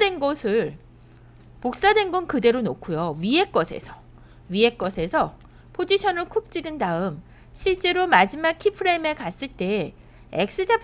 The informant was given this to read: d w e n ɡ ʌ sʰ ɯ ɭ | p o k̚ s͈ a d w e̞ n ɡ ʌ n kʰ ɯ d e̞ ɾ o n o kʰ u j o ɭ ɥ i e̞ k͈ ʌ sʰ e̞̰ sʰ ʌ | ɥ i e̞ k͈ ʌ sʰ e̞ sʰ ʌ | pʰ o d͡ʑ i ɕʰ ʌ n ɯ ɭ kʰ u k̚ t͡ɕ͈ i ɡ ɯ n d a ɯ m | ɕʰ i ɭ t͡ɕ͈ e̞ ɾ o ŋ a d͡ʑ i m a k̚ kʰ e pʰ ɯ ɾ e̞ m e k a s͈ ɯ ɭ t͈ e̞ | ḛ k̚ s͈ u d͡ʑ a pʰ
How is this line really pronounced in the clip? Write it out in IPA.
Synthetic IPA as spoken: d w e n ɡ ʌ sʰ ɯ ɭ | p o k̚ s͈ a d w e̞ n ɡ ʌ n k ɯ d e̞ ɾ o n o kʰ u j o ɥ i e̞ k͈ ʌ sʰ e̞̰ sʰ ʌ | ɥ i e̞ k͈ ʌ sʰ e̞ sʰ ʌ | pʰ o d͡ʑ i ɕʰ ʌ n ɯ ɭ kʰ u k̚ t͡ɕ͈ i ɡ ɯ n d a ɯ m | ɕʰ i ɭ t͡ɕ͈ e̞ ɾ o m a d͡ʑ i m a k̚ kʰ i pʰ ɯ ɾ e̞ m e k a s͈ ɯ ɭ t͈ e̞ | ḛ k̚ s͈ ɯ d͡ʑ a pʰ